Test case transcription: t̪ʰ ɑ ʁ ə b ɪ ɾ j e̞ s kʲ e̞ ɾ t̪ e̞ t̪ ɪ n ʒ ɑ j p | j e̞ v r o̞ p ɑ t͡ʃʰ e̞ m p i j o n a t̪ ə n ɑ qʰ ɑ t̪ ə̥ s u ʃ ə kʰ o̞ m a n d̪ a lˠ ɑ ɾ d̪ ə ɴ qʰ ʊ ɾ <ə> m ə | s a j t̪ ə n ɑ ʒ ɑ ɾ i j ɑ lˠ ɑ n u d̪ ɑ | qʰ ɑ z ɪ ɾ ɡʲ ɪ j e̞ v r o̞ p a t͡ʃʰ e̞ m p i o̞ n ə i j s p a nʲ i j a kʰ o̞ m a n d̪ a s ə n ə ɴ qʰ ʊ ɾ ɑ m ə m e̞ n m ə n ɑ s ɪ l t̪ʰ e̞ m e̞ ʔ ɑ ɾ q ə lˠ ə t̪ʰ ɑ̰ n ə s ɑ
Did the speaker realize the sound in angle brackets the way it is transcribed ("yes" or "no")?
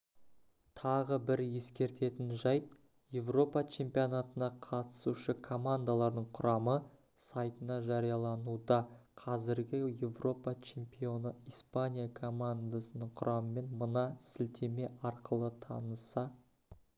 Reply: no